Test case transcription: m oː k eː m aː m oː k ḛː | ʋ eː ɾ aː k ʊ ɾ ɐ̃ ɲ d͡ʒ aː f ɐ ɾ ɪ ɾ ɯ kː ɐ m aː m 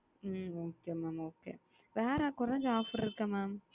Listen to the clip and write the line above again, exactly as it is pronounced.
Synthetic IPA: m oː k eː m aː m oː k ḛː | ʋ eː ɾ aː k ʊ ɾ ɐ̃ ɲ d͡ʒ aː f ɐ ɾ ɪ ɾ ɯ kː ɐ m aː m